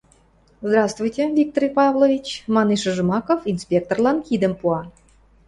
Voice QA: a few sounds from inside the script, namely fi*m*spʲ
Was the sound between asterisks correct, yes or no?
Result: no